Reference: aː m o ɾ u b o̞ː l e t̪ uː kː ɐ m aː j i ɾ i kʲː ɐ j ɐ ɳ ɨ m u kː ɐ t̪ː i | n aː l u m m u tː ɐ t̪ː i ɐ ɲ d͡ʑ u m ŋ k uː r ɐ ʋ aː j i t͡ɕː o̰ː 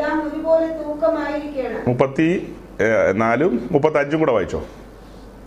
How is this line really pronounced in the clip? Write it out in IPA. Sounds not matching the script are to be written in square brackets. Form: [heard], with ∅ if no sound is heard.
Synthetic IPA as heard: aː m o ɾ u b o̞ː l e t̪ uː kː ɐ m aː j i ɾ i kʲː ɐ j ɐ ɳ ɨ m u [pː] ɐ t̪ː i | n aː l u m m u [pː] ɐ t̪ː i ɐ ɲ d͡ʑ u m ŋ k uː [ɽ] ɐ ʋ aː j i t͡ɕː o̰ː